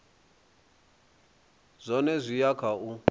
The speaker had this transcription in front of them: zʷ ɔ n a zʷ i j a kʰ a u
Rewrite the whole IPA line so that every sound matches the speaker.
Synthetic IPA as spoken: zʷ ɔ n ɛ zʷ i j a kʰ a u